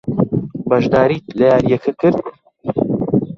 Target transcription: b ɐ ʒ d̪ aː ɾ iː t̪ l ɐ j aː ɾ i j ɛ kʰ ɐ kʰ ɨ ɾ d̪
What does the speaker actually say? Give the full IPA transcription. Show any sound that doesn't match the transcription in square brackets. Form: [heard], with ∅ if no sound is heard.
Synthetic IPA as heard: b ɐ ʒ d̪ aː ɾ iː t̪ l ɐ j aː ɾ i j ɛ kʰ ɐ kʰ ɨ ɾ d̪